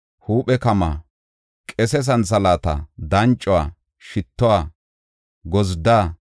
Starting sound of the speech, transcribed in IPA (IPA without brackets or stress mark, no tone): h